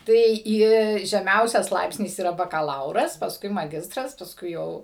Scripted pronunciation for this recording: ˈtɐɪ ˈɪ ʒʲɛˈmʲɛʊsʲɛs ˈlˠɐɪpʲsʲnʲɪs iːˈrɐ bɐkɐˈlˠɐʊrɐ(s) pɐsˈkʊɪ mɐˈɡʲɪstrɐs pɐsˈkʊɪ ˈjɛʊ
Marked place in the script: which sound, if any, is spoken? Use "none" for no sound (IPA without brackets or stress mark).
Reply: s